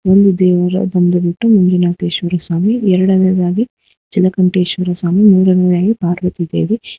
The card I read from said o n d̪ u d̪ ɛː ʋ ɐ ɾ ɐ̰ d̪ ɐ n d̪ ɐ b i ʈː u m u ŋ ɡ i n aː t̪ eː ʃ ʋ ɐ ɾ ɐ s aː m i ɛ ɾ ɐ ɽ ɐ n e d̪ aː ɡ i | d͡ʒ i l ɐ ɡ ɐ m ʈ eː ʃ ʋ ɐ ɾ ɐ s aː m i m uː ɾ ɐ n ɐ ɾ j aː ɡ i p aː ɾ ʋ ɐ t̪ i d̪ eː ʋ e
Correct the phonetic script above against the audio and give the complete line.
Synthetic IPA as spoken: o n d̪ u d̪ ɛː ʋ ɐ ɾ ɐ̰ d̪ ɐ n d̪ ɐ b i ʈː u m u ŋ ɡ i n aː t̪ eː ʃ ʋ ɐ ɾ ɐ s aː m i ɛ ɾ ɐ ɽ ɐ n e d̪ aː ɡ i | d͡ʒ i l ɐ k ɐ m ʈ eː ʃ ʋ ɐ ɾ ɐ s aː m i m uː ɾ ɐ n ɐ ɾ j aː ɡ i p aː ɾ ʋ ɐ t̪ i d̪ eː ʋ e